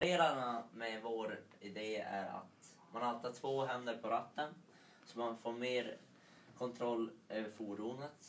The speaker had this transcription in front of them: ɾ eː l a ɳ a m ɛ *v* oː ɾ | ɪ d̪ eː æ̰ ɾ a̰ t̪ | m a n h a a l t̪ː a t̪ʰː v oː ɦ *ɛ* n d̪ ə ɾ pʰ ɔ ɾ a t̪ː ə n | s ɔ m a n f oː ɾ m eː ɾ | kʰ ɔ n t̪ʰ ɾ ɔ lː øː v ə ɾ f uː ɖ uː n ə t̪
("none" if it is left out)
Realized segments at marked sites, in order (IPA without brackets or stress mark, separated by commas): v, ɛ